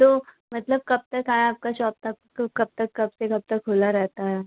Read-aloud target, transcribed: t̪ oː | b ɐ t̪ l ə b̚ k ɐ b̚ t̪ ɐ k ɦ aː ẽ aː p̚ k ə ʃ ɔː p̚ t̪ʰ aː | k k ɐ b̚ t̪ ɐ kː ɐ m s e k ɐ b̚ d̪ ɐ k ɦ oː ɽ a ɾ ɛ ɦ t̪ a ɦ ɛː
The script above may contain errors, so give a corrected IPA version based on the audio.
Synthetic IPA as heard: t̪ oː | m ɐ t̪ l ə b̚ k ɐ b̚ t̪ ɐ k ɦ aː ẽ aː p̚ k a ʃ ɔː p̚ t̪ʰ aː | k k ɐ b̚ t̪ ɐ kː ɐ b s e k ɐ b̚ t̪ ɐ k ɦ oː l a ɾ ɛ ɦ t̪ a ɦ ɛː